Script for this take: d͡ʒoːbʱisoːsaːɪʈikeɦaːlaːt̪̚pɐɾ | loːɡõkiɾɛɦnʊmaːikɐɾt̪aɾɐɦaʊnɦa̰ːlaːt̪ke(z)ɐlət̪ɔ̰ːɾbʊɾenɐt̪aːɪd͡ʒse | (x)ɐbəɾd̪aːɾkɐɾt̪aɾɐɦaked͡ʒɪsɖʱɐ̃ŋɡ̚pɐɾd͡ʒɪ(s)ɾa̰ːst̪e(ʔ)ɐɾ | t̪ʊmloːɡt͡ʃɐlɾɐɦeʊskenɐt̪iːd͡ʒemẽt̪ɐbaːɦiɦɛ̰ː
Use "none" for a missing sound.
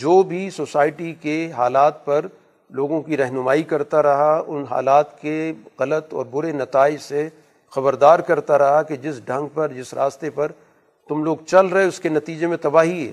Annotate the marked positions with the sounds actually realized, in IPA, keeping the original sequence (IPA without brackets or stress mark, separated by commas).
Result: ɣ, x, s, p